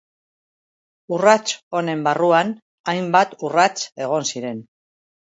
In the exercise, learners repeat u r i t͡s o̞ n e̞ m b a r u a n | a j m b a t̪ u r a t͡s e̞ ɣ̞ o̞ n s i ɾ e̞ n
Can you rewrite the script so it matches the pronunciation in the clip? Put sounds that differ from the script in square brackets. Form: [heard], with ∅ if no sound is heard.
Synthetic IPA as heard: u r [a] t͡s o̞ n e̞ m b a r u a n | a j m b a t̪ u r a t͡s e̞ ɣ̞ o̞ n s i ɾ e̞ n